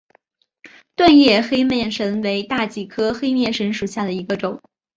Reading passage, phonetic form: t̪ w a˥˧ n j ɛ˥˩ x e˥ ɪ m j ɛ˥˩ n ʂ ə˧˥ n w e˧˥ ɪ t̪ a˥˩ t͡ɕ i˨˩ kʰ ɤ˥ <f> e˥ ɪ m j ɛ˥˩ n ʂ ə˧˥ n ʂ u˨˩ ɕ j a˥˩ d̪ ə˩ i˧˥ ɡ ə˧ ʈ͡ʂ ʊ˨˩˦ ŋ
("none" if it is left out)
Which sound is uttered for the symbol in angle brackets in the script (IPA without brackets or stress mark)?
x